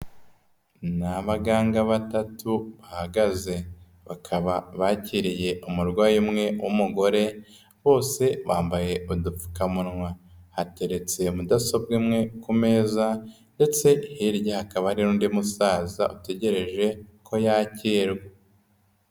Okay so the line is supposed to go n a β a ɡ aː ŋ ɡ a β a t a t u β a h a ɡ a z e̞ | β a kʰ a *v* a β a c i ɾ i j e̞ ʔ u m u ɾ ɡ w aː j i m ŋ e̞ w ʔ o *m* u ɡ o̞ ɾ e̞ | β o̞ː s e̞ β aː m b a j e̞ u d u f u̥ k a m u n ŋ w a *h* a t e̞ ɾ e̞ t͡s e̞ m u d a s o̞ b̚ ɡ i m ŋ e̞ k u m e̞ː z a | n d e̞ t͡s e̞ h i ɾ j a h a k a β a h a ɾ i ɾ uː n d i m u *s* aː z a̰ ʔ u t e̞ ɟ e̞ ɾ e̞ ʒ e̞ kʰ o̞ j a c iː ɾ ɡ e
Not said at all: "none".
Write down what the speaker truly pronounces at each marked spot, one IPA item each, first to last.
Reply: β, m, h, s

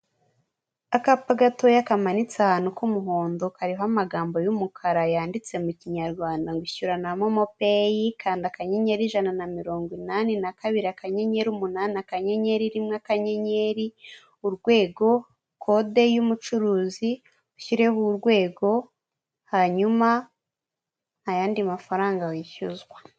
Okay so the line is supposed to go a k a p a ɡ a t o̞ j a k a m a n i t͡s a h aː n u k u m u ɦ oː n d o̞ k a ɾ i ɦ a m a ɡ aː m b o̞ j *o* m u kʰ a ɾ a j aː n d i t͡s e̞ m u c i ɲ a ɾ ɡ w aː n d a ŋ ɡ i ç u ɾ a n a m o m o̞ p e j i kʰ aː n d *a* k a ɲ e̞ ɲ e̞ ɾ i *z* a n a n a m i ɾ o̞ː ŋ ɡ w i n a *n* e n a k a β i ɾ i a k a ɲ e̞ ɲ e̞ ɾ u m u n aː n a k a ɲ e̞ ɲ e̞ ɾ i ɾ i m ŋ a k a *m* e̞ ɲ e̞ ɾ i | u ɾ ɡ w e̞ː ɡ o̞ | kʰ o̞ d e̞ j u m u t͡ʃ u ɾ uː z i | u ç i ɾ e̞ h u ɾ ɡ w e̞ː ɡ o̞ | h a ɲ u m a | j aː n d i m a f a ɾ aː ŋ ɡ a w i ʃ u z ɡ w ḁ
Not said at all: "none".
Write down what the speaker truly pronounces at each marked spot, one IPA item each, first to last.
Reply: u, a, ʒ, n, ɲ

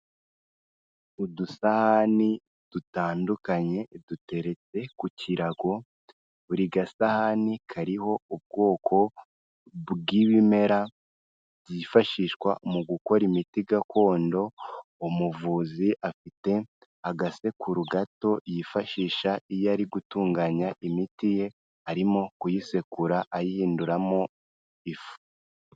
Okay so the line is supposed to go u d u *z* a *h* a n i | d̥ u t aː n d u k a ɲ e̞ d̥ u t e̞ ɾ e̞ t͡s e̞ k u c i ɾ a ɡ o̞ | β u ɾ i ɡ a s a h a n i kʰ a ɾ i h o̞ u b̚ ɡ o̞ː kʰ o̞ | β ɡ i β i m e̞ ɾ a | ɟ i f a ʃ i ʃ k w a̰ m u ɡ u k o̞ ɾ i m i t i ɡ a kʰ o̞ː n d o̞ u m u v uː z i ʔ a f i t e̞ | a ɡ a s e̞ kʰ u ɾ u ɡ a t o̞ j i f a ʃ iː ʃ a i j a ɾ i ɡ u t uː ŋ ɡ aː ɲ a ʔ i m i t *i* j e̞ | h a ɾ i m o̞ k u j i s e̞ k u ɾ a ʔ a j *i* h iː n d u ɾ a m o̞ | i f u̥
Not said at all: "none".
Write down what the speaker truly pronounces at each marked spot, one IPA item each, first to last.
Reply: s, h, i, i

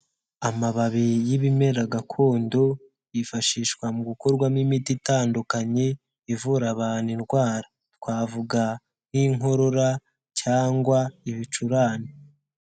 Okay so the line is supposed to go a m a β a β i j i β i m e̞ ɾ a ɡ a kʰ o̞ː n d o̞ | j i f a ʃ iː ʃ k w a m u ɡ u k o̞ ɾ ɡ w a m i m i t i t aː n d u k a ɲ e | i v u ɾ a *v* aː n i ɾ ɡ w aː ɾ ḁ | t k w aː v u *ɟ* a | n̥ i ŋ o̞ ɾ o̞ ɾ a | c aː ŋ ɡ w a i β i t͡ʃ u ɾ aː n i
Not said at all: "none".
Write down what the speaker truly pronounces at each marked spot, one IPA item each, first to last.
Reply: β, ɡ

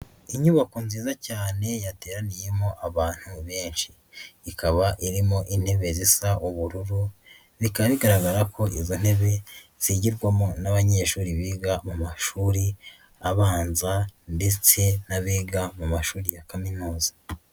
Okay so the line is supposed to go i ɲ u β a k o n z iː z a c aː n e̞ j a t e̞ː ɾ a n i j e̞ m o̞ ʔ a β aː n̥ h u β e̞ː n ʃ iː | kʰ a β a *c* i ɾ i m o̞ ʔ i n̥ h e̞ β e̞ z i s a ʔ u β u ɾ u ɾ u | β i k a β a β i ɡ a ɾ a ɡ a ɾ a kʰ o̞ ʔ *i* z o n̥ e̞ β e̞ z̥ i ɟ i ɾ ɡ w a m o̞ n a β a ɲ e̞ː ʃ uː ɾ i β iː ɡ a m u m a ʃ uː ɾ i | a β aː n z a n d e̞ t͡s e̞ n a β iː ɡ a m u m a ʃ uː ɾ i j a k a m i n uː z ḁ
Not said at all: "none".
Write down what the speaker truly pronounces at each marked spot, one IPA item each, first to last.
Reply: ʔ, i

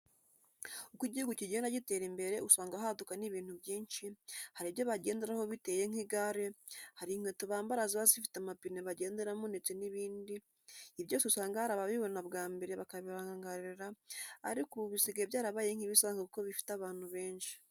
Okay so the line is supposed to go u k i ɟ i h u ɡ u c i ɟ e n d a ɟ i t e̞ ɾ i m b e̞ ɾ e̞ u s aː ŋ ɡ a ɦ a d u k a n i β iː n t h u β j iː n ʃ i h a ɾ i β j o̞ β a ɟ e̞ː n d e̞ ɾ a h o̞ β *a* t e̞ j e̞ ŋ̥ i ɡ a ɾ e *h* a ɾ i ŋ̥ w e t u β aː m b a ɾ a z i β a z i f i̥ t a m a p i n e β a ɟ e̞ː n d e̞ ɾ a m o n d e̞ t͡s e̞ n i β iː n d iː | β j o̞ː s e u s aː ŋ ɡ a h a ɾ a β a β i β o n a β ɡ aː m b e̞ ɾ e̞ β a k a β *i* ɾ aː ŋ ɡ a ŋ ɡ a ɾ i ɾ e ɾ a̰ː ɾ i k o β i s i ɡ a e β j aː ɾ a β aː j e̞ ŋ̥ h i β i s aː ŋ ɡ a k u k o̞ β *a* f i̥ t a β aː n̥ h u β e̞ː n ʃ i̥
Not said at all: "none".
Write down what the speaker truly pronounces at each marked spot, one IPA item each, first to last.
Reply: i, h, i, i

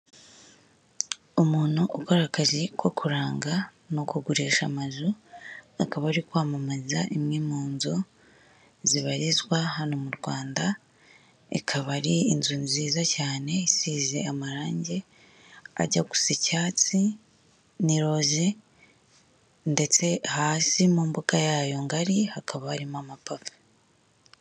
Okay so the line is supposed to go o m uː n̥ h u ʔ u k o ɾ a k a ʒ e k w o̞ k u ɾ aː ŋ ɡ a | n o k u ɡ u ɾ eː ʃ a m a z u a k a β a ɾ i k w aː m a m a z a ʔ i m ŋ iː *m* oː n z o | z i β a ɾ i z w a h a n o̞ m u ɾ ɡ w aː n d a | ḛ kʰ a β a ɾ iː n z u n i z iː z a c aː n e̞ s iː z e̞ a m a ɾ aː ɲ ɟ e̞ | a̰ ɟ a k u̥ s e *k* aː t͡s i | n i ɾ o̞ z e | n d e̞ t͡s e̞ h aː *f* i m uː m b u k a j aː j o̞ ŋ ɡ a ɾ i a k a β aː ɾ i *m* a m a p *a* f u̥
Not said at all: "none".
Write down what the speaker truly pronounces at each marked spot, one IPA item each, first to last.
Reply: m, c, s, m, a

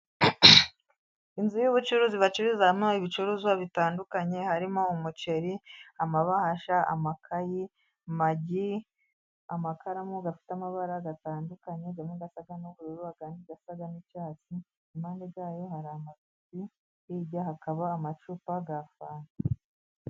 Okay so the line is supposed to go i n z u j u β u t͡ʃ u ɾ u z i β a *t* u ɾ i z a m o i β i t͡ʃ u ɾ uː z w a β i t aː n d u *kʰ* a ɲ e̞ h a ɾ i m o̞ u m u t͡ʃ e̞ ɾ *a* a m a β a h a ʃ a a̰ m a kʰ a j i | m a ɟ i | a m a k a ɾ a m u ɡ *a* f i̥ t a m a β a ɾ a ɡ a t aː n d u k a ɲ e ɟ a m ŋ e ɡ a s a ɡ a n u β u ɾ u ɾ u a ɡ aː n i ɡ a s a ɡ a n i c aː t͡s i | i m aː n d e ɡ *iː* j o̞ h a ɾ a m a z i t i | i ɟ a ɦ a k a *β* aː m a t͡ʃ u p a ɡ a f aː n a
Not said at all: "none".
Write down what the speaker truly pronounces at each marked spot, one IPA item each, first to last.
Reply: t͡ʃ, k, i, a, aː, β

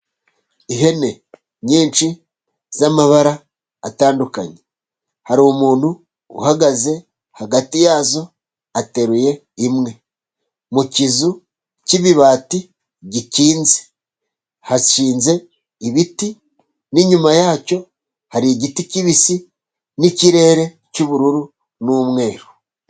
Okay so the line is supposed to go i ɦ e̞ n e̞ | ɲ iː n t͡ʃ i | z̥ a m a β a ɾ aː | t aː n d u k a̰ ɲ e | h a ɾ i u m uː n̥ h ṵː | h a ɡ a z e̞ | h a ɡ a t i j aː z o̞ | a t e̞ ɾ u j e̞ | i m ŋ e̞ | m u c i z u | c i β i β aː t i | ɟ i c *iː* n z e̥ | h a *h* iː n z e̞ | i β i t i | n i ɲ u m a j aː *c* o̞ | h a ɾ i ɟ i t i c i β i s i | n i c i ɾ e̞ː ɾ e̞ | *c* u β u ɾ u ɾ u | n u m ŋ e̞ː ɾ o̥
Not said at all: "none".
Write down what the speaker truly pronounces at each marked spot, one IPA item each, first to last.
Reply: iː, ʃ, c, c

